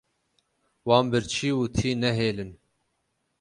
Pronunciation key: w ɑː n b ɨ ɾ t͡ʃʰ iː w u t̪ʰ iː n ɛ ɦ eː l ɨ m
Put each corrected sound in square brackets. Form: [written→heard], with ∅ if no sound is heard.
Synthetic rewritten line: w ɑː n b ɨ ɾ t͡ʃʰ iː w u t̪ʰ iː n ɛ ɦ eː l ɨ [m→n]